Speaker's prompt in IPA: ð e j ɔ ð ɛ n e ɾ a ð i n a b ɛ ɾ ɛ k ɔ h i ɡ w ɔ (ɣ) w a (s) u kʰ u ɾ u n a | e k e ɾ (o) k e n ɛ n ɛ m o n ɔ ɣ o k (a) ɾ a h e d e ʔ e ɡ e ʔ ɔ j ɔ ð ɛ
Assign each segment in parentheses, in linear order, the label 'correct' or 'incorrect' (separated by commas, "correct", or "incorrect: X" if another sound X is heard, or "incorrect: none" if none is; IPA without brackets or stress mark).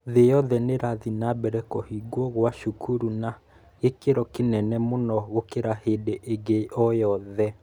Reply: correct, incorrect: ʃ, incorrect: ɔ, incorrect: e